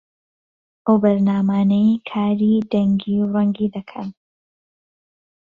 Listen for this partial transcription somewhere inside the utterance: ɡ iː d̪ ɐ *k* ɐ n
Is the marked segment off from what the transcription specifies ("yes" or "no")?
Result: yes